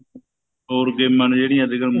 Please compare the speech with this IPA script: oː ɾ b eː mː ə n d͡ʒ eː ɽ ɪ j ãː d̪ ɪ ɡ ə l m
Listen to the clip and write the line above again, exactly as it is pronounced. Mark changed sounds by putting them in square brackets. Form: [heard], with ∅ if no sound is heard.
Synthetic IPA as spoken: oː ɾ [ɡ] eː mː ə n d͡ʒ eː ɽ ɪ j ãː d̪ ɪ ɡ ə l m

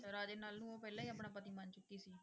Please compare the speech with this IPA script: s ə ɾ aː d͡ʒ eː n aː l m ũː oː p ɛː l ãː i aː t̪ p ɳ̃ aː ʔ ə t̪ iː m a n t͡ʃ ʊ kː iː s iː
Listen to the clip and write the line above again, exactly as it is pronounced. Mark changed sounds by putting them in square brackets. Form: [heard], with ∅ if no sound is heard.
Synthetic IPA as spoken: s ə ɾ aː d͡ʒ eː n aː l [n] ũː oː p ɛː l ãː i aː [∅] p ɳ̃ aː [p] ə t̪ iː m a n t͡ʃ ʊ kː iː s iː

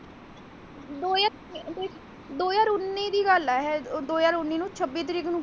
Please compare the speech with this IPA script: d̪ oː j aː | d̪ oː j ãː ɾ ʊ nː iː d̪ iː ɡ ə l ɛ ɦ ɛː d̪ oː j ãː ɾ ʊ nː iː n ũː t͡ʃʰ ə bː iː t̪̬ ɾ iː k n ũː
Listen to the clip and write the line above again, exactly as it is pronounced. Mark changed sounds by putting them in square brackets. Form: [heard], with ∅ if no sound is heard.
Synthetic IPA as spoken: d̪ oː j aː | d̪ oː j [aː] ɾ ʊ nː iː d̪ iː ɡ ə l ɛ ɦ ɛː d̪ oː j [aː] ɾ ʊ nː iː n ũː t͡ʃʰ ə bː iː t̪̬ ɾ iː k n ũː

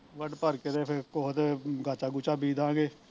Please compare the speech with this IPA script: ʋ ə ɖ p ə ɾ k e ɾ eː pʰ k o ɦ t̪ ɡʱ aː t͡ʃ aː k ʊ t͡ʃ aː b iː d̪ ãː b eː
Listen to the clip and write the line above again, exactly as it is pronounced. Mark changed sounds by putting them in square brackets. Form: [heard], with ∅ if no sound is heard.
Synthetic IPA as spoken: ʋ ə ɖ p ə ɾ k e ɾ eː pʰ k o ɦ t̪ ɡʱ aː t͡ʃ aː [ɡ] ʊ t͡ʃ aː b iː d̪ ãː [ɡ] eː

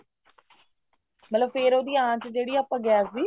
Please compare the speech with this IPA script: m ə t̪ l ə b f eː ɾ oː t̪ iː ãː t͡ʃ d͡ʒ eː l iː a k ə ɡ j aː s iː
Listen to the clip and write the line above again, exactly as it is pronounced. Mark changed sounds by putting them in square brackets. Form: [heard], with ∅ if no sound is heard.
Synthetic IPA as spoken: m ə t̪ l ə b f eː ɾ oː [d̪] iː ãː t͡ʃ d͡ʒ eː [ɽ] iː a [p] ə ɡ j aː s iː

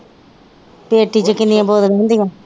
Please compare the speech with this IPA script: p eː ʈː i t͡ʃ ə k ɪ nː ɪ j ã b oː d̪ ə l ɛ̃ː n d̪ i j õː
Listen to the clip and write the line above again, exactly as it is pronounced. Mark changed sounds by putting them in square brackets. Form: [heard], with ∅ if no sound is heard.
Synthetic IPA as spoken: p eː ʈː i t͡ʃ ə k ɪ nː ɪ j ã b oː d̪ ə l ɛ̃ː n d̪ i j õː

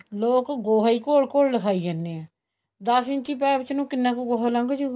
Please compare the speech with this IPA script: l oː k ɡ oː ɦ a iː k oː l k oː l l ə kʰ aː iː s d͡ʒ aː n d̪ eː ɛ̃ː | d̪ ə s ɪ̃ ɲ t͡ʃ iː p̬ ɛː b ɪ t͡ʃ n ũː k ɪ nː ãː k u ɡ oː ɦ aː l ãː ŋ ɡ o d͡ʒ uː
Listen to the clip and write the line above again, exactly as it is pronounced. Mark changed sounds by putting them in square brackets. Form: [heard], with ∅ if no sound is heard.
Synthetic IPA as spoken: l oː k ɡ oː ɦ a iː k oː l k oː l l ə kʰ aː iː [∅] d͡ʒ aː n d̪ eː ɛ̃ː | d̪ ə s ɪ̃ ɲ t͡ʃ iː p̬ ɛː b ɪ t͡ʃ n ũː k ɪ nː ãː k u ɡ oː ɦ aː l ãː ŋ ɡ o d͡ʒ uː

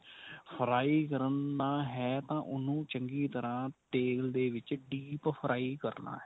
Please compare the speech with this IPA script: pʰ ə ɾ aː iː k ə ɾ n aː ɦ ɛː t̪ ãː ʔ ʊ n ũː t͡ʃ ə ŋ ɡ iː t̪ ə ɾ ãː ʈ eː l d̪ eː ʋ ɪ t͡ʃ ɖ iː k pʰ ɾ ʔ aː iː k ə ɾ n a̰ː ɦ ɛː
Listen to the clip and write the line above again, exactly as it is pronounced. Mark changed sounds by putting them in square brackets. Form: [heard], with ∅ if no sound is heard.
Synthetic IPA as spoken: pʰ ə ɾ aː iː k ə ɾ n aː ɦ ɛː t̪ ãː ʔ ʊ n ũː t͡ʃ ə ŋ ɡ iː t̪ ə ɾ ãː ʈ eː l d̪ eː ʋ ɪ t͡ʃ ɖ iː [p] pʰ ɾ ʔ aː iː k ə ɾ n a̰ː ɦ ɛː

